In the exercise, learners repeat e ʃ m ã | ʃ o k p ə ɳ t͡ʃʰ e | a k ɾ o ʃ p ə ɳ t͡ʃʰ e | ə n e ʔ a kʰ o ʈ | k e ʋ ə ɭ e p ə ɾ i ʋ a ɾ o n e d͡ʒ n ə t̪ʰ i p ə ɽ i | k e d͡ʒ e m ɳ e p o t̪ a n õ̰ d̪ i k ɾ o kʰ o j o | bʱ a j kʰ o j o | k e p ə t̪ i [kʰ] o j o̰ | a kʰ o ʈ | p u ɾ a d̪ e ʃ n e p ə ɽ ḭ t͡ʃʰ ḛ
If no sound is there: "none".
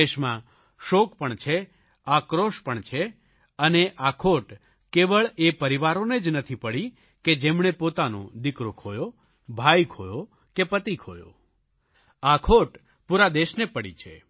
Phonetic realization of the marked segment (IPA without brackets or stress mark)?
kʰ